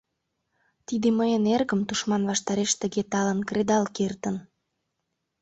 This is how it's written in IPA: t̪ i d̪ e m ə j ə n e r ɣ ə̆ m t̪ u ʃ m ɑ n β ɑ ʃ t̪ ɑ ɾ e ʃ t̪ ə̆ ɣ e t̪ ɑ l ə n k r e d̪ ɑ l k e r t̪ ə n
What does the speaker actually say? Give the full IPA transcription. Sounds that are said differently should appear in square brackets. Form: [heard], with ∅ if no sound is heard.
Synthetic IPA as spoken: t̪ i d̪ e m ə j ə n e r ɣ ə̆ m t̪ u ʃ m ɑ n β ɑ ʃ t̪ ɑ ɾ e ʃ t̪ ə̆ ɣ e t̪ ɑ l ə n k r e d̪ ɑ l k e r t̪ ə n

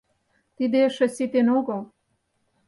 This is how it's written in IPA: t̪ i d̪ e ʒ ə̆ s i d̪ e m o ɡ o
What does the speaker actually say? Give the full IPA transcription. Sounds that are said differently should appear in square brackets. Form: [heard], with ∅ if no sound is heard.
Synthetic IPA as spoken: t̪ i d̪ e [ʃ] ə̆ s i [t̪] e [n] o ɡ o

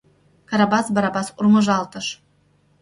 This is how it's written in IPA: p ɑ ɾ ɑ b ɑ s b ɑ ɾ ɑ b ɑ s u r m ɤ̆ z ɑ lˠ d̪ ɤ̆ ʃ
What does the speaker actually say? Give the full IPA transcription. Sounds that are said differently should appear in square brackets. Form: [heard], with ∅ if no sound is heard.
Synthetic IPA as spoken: [k] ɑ ɾ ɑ b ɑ s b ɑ ɾ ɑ b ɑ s u r m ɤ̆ [ʒ] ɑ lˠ [t̪] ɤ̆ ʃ

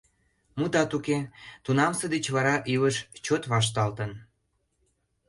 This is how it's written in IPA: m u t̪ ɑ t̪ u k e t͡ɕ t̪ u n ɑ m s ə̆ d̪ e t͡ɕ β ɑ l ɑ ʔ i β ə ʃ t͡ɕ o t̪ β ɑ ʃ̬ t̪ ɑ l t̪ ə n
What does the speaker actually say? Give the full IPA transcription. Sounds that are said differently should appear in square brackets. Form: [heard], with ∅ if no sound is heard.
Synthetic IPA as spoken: m u t̪ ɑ t̪ u k e [∅] t̪ u n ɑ m s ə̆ d̪ e t͡ɕ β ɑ [ɾ] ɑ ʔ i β ə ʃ t͡ɕ o t̪ β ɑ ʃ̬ t̪ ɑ l t̪ ə n

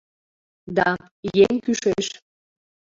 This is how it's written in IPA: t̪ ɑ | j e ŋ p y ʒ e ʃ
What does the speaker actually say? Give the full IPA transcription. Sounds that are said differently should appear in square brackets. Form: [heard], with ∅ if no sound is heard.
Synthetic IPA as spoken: [d̪] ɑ | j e ŋ [k] y [ʃ] e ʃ

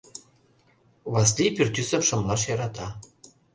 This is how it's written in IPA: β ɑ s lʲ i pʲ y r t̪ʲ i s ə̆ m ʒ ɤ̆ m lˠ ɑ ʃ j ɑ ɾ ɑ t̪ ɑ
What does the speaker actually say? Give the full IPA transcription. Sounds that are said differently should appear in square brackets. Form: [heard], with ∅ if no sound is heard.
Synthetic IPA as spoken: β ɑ s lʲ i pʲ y r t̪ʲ [y] s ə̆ m [ʃ] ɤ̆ m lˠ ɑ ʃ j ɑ ɾ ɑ t̪ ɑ

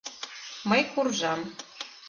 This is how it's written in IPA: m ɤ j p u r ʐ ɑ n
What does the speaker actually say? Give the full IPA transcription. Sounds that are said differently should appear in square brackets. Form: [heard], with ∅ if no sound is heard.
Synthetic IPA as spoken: m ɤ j [k] u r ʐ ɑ [m]

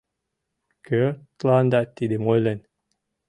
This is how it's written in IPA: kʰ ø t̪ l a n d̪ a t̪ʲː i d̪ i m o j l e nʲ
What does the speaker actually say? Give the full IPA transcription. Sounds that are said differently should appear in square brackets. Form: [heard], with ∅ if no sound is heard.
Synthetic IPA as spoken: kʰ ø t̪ l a n d̪ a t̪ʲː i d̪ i m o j l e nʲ

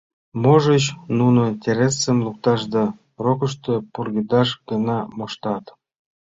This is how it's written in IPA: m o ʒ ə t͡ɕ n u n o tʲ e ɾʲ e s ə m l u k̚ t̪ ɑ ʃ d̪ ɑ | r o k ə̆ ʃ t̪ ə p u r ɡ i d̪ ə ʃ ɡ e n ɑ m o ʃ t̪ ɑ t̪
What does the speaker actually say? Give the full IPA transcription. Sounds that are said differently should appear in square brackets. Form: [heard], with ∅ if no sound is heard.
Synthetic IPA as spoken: m o ʒ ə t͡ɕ n u n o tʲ e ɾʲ e s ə m l u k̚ t̪ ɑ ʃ d̪ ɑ | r o k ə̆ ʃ t̪ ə p u r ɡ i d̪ [ɑ] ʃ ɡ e n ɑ m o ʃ t̪ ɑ t̪

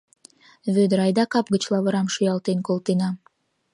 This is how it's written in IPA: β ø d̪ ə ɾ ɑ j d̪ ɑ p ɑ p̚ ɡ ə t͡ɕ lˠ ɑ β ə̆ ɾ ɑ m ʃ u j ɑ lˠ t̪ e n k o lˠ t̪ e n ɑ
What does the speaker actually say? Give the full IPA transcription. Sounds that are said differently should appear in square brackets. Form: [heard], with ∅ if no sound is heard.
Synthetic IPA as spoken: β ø d̪ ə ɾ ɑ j d̪ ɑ [k] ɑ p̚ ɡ ə t͡ɕ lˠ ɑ β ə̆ ɾ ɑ m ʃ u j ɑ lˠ t̪ e n k o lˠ t̪ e n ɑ

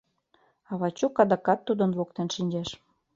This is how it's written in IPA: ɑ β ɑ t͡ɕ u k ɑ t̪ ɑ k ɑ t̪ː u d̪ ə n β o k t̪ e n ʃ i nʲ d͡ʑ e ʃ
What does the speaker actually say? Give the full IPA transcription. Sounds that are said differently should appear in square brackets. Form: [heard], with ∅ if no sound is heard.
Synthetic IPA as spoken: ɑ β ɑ t͡ɕ u k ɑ [d̪] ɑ k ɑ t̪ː u d̪ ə n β o k t̪ e n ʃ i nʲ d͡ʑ e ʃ

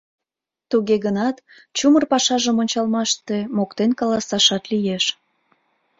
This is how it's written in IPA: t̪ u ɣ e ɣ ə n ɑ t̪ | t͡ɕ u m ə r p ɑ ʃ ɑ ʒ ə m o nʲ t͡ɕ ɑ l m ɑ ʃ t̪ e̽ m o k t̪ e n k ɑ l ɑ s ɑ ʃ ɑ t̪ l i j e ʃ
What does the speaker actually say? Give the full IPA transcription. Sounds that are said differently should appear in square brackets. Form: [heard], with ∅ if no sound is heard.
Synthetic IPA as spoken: t̪ u ɣ e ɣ ə n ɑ t̪ | t͡ɕ u m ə r p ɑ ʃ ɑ ʒ ə m o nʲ t͡ɕ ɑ l m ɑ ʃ t̪ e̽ m o k t̪ e n k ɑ l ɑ s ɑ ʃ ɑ t̪ l i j e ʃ

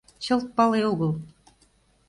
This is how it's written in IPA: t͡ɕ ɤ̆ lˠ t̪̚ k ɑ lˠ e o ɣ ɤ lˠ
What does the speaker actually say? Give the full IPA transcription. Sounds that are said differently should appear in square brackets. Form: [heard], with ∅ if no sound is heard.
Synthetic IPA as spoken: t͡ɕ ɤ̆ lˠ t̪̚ [p] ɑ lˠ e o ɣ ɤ lˠ

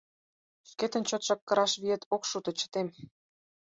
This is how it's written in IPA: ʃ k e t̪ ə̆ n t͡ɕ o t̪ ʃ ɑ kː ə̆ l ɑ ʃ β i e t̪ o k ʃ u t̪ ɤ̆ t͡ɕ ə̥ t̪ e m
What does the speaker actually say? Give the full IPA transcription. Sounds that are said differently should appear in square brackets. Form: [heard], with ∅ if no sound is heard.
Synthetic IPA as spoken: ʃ k e t̪ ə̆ n t͡ɕ o t̪ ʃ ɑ kː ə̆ [ɾ] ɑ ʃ β i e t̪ o k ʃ u t̪ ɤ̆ t͡ɕ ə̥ t̪ e m

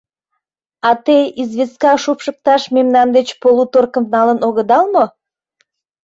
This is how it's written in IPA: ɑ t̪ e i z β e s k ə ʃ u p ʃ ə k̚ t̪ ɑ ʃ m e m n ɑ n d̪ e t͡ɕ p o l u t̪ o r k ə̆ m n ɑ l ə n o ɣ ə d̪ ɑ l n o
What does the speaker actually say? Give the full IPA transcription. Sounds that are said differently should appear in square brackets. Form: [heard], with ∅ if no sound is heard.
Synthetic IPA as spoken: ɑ t̪ e i z β e s k [ɑ] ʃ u p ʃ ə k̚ t̪ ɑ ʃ m e m n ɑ n d̪ e t͡ɕ p o l u t̪ o r k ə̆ m n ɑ l ə n o ɣ ə d̪ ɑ l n o

